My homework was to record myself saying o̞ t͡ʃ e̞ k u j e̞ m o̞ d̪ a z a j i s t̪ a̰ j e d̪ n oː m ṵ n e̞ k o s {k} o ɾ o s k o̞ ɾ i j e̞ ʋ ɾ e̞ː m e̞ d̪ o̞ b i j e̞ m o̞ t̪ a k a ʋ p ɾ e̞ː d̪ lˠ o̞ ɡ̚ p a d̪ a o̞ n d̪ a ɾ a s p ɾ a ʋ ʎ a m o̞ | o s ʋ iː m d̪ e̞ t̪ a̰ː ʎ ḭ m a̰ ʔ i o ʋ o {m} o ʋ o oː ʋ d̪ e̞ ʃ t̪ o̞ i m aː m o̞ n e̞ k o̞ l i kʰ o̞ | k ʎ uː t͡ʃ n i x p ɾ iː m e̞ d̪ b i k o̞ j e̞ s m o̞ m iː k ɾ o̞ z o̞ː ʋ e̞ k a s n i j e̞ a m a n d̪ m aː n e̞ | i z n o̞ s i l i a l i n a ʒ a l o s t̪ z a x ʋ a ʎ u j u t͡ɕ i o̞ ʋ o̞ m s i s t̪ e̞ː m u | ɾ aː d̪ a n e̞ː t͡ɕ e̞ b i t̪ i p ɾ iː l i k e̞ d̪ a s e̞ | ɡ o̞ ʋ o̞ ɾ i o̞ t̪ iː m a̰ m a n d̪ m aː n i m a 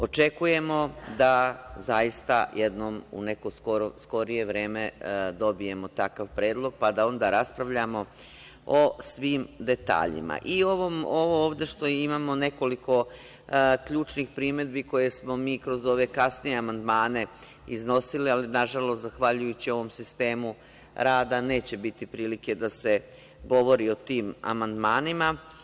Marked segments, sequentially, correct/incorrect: correct, correct

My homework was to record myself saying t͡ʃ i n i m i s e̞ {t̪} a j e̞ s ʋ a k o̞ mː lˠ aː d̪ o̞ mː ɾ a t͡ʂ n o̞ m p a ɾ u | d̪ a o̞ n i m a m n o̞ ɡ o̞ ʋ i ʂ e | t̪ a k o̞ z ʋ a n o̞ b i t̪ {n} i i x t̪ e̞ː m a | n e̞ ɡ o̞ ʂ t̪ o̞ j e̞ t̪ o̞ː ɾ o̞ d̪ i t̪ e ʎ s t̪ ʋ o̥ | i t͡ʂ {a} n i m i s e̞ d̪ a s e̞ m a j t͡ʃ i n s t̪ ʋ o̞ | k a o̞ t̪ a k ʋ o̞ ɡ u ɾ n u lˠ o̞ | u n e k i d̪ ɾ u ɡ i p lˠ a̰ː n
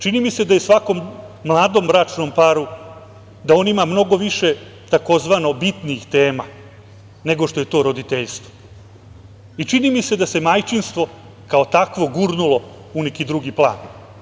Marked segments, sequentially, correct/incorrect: incorrect, correct, incorrect

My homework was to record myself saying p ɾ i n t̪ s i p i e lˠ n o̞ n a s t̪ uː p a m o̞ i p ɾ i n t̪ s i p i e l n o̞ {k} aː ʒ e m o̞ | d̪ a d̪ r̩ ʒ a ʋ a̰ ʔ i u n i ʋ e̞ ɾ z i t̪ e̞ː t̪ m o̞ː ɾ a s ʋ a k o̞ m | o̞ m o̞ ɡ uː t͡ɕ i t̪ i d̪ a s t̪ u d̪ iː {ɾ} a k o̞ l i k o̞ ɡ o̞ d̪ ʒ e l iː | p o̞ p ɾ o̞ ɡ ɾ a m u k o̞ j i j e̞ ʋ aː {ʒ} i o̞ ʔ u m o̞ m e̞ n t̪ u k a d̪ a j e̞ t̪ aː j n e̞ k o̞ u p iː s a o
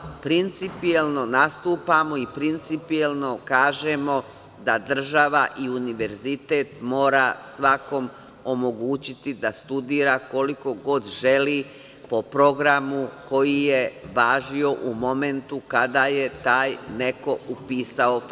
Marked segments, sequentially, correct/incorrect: correct, correct, correct

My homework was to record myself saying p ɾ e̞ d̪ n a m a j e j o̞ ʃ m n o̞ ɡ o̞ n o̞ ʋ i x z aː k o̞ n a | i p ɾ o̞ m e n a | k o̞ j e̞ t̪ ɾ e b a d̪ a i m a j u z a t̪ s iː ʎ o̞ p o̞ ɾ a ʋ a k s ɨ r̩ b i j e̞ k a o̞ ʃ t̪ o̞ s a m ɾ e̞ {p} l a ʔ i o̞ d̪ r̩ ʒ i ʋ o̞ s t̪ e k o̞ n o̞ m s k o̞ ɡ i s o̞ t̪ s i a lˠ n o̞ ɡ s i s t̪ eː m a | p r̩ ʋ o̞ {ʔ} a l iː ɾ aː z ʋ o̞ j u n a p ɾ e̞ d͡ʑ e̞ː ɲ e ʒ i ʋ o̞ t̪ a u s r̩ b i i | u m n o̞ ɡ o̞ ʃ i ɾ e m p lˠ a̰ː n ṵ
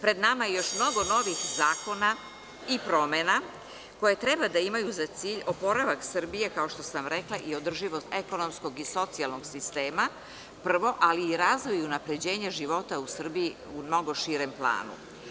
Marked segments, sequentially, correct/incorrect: incorrect, correct

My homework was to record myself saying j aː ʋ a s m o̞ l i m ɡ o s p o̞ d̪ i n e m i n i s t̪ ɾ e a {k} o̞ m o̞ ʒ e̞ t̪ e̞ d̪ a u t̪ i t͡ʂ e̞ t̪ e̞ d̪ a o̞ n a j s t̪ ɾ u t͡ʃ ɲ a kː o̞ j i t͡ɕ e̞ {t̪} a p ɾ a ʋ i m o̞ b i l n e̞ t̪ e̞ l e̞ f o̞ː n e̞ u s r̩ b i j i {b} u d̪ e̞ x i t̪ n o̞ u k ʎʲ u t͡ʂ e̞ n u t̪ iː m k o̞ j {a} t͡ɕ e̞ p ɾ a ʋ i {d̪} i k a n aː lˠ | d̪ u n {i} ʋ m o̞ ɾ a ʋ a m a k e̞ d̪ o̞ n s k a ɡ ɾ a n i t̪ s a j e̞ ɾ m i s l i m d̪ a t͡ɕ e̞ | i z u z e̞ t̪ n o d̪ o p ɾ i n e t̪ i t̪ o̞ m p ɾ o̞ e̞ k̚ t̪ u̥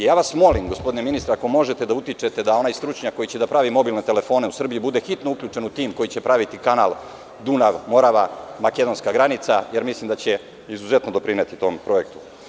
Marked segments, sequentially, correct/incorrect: correct, incorrect, correct, incorrect, incorrect, incorrect

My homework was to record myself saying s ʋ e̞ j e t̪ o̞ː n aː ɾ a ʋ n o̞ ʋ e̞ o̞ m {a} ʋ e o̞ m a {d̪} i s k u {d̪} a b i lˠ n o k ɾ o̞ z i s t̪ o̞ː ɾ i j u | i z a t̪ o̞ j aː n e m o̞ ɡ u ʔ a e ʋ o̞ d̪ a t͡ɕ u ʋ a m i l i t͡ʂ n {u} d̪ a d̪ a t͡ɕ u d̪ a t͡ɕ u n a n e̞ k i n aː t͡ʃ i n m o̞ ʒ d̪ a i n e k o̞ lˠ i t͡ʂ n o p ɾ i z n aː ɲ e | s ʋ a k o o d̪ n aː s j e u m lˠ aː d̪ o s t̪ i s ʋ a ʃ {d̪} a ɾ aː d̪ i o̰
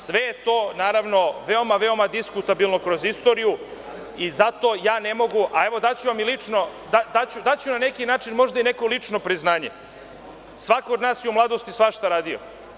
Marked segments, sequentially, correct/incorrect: correct, correct, incorrect, incorrect, incorrect

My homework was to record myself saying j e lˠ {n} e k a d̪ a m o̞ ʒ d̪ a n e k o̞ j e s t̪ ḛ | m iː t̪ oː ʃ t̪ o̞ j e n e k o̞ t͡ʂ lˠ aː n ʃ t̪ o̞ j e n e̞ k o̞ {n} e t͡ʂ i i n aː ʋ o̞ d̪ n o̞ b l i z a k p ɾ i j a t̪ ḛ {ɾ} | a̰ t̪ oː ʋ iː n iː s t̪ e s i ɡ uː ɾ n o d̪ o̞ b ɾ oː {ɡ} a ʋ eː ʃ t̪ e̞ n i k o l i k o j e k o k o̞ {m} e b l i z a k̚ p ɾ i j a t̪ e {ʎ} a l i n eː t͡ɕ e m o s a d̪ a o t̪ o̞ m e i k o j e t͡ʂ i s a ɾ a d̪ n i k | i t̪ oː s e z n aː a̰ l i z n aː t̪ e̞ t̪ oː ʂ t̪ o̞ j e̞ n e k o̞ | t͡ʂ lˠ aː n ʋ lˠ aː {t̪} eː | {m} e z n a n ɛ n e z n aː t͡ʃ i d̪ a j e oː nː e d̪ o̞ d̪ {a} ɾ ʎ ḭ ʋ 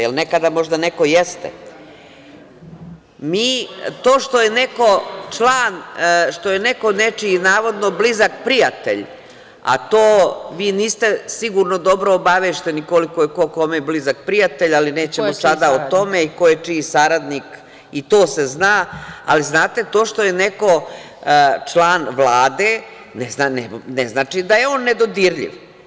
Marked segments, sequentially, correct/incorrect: correct, correct, incorrect, incorrect, correct, correct, incorrect, incorrect, incorrect

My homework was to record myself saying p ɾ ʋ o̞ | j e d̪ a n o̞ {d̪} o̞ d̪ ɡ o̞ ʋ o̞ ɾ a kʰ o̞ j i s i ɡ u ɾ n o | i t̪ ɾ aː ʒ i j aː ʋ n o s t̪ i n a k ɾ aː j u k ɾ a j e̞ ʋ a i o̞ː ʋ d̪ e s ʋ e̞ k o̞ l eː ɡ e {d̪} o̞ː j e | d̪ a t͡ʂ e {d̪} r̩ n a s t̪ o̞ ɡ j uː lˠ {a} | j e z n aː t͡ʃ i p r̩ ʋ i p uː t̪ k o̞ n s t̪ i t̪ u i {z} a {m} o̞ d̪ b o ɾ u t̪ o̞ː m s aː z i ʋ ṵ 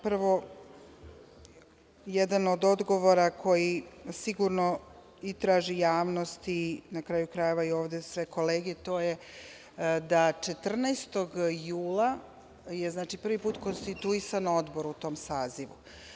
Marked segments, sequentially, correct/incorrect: correct, incorrect, incorrect, correct, incorrect, incorrect

